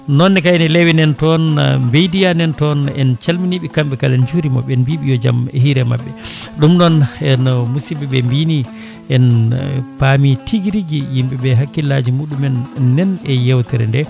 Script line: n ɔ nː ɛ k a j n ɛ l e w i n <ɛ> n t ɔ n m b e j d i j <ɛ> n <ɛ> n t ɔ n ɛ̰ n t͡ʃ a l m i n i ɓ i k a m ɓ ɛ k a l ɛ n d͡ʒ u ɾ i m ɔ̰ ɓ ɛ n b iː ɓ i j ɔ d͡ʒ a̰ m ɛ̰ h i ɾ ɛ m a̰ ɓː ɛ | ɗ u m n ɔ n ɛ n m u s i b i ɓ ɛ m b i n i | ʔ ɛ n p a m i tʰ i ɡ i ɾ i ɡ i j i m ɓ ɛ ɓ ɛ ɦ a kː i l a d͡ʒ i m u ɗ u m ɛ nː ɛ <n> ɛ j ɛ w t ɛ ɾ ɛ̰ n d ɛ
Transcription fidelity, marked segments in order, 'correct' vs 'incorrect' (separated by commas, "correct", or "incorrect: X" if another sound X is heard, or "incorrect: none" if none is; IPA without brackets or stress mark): correct, incorrect: a, correct, correct